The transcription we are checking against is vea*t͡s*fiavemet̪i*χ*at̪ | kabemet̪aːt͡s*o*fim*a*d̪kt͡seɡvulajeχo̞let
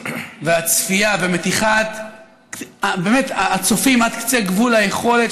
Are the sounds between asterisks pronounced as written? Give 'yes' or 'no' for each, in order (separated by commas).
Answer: yes, yes, yes, yes